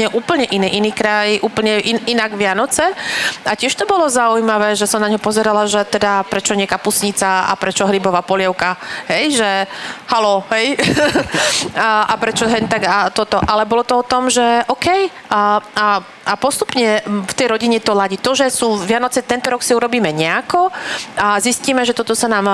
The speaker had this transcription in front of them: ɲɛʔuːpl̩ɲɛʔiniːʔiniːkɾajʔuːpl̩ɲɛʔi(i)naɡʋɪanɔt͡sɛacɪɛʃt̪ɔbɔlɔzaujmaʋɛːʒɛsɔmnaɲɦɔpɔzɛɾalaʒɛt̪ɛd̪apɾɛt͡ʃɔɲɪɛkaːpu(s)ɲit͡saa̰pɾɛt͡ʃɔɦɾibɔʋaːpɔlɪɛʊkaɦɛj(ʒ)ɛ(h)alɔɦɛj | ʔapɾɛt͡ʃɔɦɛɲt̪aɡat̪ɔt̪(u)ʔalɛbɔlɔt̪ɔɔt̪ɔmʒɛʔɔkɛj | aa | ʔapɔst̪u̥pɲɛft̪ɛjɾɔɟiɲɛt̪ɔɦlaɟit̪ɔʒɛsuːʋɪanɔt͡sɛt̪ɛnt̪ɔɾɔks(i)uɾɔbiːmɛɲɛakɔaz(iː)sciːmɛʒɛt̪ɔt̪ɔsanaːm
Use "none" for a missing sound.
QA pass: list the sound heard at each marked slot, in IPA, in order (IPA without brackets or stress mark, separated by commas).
i, s, ʒ, h, ɔ, i, i